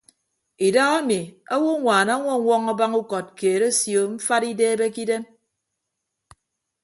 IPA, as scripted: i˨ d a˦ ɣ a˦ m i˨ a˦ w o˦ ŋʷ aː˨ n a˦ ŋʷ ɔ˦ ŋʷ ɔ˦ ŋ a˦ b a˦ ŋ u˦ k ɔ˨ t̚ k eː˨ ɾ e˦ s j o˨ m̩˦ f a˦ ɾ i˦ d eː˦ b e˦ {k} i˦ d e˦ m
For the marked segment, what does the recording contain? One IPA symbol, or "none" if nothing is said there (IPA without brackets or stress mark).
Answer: k